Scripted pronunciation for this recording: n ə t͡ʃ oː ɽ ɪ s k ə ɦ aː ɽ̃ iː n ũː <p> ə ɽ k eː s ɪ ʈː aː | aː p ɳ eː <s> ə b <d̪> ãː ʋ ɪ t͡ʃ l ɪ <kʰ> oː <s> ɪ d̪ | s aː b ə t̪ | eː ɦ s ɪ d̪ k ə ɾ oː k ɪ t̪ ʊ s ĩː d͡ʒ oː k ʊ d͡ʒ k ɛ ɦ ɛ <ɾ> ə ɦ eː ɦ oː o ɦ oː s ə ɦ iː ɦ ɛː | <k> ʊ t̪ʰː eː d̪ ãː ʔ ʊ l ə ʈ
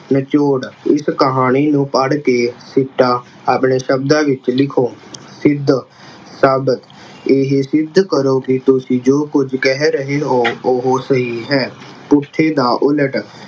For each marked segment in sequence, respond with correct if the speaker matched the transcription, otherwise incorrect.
correct, incorrect: ʃ, correct, correct, correct, correct, incorrect: p

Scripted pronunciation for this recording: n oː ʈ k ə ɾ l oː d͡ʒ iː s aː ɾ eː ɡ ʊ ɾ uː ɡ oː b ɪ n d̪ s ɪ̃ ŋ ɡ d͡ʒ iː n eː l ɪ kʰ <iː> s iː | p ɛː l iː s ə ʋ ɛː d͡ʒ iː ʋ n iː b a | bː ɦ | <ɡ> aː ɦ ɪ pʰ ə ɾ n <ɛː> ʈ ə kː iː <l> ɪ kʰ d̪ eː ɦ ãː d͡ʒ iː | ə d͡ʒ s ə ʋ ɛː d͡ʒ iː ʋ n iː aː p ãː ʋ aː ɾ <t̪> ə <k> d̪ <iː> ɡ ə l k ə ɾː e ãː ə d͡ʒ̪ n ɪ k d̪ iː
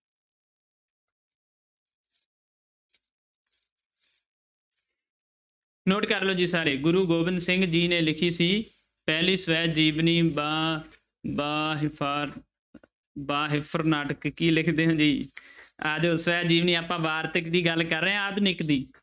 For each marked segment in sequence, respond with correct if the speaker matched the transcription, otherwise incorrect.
correct, incorrect: b, incorrect: aː, correct, correct, correct, correct

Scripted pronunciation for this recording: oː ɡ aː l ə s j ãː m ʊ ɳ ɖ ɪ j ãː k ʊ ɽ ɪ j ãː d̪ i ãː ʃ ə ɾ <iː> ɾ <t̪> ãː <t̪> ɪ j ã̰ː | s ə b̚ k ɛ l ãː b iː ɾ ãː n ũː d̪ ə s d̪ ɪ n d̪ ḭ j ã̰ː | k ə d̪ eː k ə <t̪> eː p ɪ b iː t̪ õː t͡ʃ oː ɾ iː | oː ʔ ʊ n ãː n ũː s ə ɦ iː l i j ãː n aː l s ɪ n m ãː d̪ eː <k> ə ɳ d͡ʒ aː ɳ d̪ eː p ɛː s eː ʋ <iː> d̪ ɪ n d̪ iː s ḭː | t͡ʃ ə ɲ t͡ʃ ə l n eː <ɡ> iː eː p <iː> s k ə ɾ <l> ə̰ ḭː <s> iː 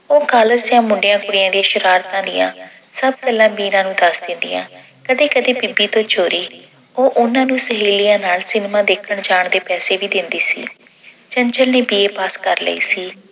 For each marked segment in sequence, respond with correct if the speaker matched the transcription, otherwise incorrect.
incorrect: aː, correct, incorrect: d̪, incorrect: d̪, incorrect: kʰ, correct, incorrect: b, incorrect: aː, correct, correct

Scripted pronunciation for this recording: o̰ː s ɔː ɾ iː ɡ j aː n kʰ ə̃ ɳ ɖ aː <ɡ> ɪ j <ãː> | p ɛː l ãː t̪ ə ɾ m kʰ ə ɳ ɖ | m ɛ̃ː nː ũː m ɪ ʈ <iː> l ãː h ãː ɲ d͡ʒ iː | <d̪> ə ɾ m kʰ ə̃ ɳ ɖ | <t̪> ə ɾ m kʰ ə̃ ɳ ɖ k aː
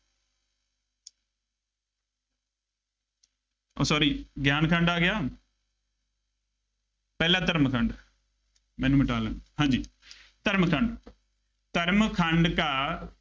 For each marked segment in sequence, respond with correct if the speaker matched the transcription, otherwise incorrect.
correct, incorrect: aː, incorrect: aː, incorrect: t̪, correct

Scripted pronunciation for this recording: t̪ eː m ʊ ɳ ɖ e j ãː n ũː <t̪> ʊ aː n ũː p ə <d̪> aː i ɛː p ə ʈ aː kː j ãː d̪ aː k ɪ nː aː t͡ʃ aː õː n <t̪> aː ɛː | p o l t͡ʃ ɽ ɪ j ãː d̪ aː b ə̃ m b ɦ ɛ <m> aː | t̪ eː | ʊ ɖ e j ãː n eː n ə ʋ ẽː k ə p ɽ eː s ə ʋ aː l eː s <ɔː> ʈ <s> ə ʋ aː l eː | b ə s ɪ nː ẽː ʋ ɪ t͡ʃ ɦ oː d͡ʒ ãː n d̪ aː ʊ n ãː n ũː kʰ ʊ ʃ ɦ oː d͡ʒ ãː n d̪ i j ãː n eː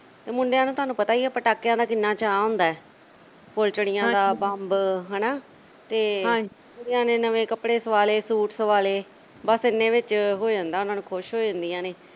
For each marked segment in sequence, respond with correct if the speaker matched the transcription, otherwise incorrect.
correct, incorrect: t̪, incorrect: d̪, incorrect: n, incorrect: uː, correct

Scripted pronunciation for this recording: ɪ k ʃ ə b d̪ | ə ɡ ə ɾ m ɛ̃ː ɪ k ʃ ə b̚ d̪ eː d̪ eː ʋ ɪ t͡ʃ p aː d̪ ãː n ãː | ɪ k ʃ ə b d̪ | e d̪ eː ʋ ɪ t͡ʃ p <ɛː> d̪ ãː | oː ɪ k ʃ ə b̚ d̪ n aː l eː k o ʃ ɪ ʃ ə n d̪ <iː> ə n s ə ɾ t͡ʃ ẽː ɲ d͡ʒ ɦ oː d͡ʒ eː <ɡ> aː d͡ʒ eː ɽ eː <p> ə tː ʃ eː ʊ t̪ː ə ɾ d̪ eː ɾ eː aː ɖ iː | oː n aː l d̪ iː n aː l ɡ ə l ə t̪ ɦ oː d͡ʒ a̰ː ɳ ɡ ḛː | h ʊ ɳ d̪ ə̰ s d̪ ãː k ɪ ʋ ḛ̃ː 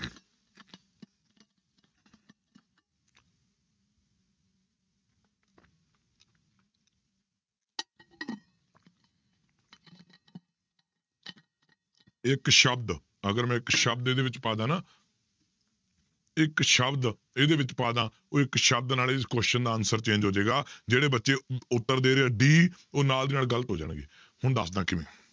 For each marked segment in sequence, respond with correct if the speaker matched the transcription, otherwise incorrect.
incorrect: aː, incorrect: aː, correct, incorrect: b

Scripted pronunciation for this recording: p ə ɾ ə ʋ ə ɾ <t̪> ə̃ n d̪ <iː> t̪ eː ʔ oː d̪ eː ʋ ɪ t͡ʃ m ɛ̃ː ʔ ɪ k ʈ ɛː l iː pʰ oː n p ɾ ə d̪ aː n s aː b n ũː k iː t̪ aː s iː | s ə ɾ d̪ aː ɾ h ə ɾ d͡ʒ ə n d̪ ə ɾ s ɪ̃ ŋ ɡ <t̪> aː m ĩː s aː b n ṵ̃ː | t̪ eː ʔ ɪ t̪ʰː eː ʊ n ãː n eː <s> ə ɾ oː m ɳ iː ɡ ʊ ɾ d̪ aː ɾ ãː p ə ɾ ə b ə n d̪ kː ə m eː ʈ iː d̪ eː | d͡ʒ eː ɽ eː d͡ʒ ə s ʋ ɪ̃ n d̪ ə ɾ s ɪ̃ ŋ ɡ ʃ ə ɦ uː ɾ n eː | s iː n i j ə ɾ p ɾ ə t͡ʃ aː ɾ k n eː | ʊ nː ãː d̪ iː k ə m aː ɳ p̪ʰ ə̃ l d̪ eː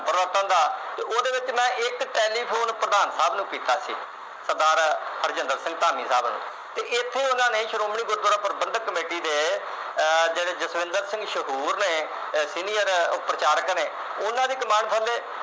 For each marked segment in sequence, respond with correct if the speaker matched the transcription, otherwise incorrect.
correct, incorrect: aː, correct, incorrect: ʃ

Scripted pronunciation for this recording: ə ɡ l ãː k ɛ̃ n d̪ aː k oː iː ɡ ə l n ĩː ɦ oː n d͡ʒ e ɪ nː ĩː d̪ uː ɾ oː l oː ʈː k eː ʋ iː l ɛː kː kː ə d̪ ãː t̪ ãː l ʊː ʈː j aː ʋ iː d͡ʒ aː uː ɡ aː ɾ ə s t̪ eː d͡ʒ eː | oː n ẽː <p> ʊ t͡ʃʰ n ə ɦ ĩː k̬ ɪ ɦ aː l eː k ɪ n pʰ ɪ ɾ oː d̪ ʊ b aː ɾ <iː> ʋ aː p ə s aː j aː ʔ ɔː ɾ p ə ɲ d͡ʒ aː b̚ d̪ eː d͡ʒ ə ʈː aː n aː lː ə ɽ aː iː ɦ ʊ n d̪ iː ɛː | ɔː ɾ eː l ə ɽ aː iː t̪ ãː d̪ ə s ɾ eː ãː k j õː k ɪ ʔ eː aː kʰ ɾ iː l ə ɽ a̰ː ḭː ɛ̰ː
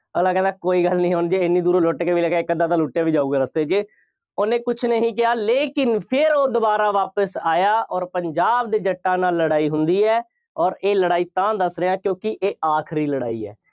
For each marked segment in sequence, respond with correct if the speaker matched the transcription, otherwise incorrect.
incorrect: k, incorrect: aː

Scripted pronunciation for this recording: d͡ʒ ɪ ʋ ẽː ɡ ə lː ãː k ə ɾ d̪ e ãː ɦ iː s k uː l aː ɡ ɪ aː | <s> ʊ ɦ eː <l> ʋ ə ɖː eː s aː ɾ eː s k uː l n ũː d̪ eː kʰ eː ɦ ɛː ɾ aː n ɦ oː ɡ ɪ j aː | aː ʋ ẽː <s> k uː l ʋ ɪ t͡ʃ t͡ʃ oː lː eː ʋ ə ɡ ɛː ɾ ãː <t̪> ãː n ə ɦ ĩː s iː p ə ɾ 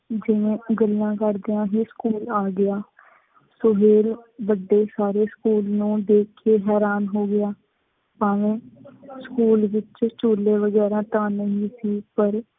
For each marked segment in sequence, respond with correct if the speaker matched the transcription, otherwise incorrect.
correct, correct, correct, correct

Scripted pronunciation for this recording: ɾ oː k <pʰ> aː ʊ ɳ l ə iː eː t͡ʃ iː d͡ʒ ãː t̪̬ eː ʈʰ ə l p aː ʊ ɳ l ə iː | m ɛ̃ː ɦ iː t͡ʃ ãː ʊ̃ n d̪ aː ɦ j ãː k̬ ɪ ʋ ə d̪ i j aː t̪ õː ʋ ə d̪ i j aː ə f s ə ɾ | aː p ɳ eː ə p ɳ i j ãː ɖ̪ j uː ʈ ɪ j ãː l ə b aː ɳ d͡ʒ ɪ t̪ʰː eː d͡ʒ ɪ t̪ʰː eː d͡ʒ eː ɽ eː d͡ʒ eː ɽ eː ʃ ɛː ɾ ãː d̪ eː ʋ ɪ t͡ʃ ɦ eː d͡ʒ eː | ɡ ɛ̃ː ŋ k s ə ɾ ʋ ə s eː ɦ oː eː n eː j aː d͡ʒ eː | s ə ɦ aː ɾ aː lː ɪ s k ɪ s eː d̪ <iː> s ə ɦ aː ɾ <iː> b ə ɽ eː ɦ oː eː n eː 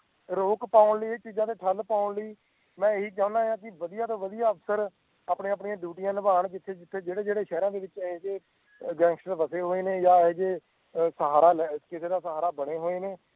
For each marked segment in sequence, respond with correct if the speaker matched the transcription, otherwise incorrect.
incorrect: p, incorrect: aː, incorrect: aː

